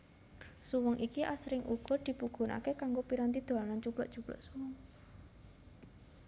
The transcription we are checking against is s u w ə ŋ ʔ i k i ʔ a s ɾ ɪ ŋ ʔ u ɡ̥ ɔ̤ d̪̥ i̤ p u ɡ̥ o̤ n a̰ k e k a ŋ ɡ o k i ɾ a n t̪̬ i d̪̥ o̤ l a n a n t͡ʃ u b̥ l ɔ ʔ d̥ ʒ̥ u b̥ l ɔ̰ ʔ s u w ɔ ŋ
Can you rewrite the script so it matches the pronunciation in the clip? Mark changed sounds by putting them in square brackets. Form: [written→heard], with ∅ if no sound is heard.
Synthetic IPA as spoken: s u w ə ŋ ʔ i k i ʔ a s ɾ ɪ ŋ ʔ u ɡ̥ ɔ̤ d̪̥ i̤ p u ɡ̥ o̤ n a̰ k e k a ŋ ɡ o [k→p] i ɾ a n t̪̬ i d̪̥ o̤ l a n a n t͡ʃ u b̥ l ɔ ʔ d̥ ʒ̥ u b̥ l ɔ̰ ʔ s u w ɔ ŋ